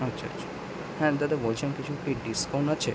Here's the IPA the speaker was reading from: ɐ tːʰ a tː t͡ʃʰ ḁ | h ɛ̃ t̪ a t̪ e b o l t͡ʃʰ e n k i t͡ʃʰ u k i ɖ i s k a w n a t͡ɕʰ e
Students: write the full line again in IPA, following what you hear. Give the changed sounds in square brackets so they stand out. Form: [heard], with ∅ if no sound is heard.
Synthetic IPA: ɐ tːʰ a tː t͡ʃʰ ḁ | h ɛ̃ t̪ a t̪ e b o l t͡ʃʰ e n k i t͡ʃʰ u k i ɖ i s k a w n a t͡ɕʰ e

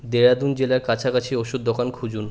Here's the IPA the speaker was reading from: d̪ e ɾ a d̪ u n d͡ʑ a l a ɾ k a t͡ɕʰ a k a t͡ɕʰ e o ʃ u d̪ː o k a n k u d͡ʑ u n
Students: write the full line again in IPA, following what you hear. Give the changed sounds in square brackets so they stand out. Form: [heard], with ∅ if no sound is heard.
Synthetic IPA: d̪ e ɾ a d̪ u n d͡ʑ [e] l a ɾ k a t͡ɕʰ a k a t͡ɕʰ [i] o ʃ u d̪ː o k a n [kʰ] u d͡ʑ u n

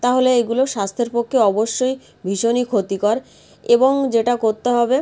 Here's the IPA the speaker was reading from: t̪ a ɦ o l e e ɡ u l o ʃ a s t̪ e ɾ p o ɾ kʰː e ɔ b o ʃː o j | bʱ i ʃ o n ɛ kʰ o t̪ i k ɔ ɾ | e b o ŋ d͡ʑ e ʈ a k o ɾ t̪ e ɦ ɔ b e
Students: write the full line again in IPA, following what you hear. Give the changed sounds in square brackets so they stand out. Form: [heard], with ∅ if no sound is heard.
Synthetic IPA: t̪ a ɦ o l e e ɡ u l o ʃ a s [t̪ʰ] e ɾ p o [∅] kʰː e ɔ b o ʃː o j | bʱ i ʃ o n [i] kʰ o t̪ i k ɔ ɾ | e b o ŋ d͡ʑ e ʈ a k o ɾ t̪ e ɦ ɔ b e

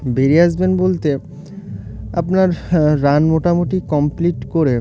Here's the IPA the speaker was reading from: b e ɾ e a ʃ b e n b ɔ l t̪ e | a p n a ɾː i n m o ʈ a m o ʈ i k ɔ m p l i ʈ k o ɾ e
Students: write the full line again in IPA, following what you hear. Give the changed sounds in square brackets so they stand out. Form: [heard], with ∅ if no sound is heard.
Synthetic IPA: b e ɾ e a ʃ b e n b [o] l t̪ e | a p n a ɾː [a] n m o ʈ a m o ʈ i k ɔ m p l i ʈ k o ɾ e

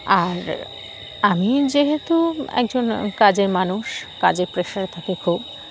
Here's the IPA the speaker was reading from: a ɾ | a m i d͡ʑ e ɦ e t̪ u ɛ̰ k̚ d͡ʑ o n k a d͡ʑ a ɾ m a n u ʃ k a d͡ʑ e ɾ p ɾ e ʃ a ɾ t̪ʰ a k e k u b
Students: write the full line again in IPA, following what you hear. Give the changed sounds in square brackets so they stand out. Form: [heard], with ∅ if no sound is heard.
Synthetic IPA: a ɾ | a m i d͡ʑ e ɦ e t̪ u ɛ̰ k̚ d͡ʑ o n k a d͡ʑ [e] ɾ m a n u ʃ k a d͡ʑ e ɾ p ɾ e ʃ a ɾ t̪ʰ a k e [kʰ] u b

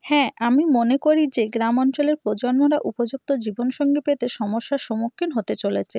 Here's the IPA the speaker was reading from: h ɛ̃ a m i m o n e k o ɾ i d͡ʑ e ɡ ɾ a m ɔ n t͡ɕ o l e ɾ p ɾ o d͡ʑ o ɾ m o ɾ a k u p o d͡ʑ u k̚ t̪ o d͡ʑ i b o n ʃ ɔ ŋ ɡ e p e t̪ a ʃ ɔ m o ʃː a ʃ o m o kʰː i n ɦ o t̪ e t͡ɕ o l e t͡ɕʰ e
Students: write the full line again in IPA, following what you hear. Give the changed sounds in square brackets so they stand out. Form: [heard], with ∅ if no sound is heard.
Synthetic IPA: h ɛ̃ a m i m o n e k o ɾ i d͡ʑ e ɡ ɾ a m ɔ n t͡ɕ o l e ɾ p ɾ o d͡ʑ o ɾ m o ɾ a [ʔ] u p o d͡ʑ u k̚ t̪ o d͡ʑ i b o n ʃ ɔ ŋ ɡ e p e t̪ [e] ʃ ɔ m o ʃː a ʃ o m o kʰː i n ɦ o t̪ e t͡ɕ o l e t͡ɕʰ e

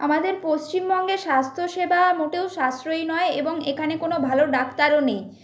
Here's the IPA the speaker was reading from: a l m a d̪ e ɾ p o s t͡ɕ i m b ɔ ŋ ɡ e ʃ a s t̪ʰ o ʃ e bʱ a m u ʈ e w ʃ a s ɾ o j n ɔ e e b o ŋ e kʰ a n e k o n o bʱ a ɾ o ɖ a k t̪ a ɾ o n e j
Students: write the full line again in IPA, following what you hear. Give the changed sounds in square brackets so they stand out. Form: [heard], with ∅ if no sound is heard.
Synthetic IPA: a [∅] m a d̪ e ɾ p o s t͡ɕ i m b ɔ ŋ ɡ e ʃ a s t̪ʰ o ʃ e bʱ a m [o] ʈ e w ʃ a s ɾ o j n ɔ e e b o ŋ e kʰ a n e k o n o bʱ a [l] o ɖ a k t̪ a ɾ o n e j

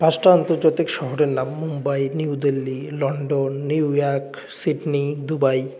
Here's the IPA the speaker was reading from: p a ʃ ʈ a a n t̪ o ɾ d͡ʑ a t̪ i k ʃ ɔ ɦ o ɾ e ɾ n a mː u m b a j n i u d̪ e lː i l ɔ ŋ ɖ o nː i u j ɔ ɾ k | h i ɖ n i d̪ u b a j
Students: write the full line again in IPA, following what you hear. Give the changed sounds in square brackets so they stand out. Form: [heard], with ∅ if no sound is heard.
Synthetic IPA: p a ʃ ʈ a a n t̪ o ɾ d͡ʑ a t̪ i k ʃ ɔ ɦ o ɾ e ɾ n a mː u m b a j n i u d̪ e lː i l ɔ [ɳ] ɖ o nː i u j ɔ ɾ k | [s] i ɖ n i d̪ u b a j

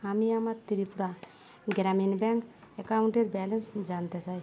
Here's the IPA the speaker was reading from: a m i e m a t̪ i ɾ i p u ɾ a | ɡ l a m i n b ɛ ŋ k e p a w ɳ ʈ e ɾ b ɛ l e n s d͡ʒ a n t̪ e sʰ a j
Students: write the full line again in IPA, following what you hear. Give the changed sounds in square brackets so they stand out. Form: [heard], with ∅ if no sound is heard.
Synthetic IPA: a m i [a] m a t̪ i ɾ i p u ɾ a | ɡ [ɾ] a m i n b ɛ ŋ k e [k] a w ɳ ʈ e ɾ b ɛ l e n s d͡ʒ a n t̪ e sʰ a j

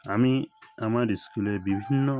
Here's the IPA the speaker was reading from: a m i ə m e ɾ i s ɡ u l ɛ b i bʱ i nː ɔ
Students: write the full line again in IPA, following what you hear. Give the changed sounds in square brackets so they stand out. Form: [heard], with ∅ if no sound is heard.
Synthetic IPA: a m i [a] m [a] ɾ i s [k] u l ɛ b i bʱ i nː ɔ

